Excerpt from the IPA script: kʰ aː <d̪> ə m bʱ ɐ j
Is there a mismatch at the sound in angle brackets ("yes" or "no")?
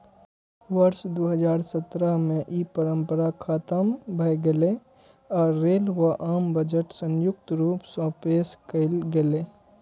yes